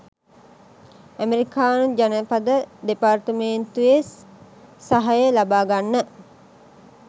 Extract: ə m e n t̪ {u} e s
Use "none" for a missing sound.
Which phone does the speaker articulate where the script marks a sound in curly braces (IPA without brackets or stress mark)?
u